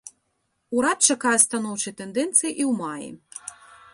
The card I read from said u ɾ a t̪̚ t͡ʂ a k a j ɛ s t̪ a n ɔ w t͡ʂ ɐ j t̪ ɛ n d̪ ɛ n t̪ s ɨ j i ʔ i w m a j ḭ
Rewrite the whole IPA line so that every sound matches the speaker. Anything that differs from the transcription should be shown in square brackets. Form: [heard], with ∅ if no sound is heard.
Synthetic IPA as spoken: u ɾ a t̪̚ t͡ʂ a k a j ɛ s t̪ a n ɔ w t͡ʂ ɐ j t̪ ɛ n d̪ ɛ n t̪ s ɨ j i ʔ i w m a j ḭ